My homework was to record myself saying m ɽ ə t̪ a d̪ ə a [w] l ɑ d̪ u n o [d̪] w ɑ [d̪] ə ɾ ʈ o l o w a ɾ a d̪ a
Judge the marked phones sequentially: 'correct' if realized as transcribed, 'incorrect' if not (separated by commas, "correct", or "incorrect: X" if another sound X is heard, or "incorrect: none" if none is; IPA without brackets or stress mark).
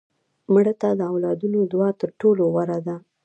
correct, correct, incorrect: t̪